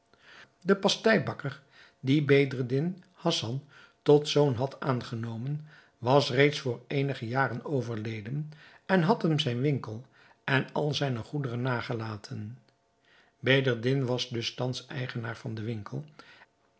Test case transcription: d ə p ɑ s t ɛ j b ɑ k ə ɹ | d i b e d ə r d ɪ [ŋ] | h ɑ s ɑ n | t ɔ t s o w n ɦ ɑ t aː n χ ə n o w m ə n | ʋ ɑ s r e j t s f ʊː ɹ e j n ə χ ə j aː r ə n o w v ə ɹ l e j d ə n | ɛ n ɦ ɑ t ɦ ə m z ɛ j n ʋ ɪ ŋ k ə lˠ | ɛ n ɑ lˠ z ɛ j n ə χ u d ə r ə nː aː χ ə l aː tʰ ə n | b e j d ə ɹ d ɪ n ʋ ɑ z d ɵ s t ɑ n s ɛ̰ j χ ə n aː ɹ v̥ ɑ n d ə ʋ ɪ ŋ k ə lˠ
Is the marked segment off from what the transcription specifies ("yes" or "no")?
yes